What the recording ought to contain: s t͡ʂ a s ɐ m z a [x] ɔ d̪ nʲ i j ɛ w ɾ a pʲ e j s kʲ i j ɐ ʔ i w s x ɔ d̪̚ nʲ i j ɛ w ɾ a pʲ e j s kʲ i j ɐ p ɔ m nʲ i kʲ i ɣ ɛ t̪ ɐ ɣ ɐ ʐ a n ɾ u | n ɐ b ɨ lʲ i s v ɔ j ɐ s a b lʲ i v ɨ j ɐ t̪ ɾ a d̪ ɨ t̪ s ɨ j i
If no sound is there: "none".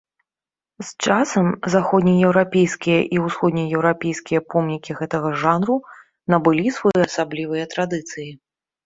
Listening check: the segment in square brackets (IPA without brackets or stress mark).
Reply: x